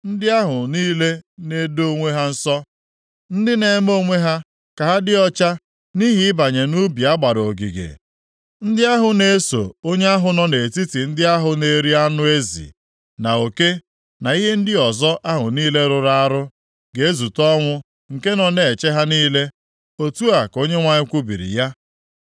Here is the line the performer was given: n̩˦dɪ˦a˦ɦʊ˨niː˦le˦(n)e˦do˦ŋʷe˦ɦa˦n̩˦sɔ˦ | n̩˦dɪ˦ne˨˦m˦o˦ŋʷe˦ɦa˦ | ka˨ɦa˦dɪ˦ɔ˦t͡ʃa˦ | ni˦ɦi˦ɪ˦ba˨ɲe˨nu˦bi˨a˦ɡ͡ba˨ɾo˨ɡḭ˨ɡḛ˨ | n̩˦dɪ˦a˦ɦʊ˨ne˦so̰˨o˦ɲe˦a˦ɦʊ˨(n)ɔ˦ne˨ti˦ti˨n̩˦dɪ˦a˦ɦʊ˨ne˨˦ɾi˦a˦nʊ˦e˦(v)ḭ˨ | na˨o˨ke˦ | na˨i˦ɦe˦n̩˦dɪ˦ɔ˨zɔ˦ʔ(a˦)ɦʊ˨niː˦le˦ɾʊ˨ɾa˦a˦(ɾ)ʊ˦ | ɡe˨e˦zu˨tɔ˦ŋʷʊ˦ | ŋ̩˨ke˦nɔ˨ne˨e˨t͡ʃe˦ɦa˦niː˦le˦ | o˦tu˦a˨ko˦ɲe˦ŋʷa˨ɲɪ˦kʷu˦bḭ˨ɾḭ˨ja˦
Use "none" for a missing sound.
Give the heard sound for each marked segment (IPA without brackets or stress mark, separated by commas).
n, n, z, a˦, ɾ